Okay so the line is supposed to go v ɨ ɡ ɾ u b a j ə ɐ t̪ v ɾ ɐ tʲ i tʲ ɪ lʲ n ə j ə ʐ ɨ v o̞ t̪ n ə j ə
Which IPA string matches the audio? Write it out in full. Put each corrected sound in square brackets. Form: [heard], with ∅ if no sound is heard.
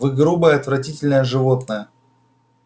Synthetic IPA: v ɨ ɡ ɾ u b [ə] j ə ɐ t̪ v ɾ ɐ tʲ i tʲ ɪ lʲ n ə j ə ʐ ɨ v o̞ t̪ n ə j ə